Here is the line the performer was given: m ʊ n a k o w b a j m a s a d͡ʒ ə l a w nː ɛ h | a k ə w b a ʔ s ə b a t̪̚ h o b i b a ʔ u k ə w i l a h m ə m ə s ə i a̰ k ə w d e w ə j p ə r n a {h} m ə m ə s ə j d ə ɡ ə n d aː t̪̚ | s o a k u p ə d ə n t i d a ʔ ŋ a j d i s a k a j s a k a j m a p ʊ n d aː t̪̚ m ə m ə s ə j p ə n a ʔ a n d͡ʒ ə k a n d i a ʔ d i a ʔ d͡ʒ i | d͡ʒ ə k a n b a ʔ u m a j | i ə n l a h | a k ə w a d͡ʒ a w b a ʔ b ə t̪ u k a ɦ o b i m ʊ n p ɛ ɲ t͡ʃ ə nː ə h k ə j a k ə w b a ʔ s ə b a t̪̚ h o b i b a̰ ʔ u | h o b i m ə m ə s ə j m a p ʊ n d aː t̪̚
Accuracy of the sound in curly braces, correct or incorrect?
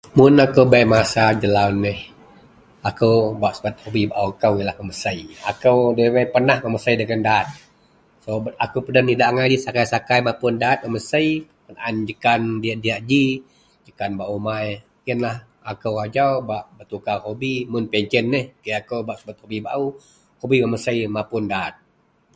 correct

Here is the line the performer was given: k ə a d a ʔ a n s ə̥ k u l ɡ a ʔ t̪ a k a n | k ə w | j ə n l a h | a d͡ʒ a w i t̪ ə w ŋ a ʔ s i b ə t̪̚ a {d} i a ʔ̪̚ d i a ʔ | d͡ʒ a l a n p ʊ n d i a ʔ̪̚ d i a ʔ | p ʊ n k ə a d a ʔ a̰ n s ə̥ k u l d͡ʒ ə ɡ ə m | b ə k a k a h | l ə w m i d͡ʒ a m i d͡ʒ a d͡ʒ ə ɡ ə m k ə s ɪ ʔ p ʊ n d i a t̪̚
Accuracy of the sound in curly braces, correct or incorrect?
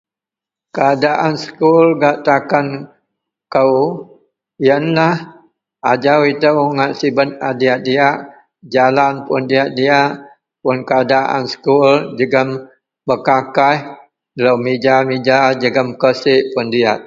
correct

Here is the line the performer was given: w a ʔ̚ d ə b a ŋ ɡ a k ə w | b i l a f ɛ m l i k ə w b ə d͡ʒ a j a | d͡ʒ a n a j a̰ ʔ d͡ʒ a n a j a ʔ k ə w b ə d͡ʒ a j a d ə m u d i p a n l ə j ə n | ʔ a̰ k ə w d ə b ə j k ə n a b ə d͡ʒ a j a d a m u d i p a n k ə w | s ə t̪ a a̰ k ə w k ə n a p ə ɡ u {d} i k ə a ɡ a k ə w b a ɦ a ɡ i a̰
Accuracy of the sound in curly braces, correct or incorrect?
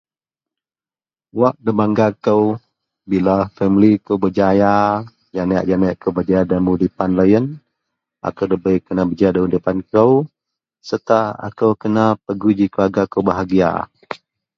incorrect: d͡ʒ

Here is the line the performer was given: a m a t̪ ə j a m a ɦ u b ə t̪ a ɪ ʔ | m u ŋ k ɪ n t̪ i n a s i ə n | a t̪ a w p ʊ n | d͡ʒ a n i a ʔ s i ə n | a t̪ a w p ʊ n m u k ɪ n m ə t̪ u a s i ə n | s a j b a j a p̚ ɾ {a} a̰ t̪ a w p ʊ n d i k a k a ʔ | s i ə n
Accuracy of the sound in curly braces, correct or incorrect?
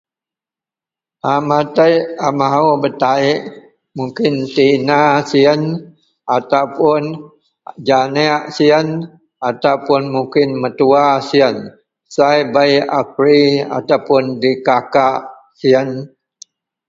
incorrect: i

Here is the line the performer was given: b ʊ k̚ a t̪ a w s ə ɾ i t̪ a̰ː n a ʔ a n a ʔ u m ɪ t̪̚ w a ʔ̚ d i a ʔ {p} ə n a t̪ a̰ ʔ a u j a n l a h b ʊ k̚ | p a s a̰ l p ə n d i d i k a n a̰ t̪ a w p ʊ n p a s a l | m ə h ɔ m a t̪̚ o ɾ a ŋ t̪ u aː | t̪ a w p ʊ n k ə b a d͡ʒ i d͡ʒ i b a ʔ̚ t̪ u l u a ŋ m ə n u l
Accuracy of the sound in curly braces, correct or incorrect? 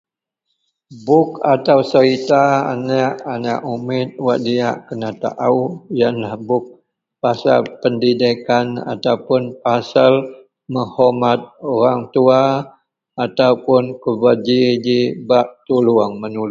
incorrect: k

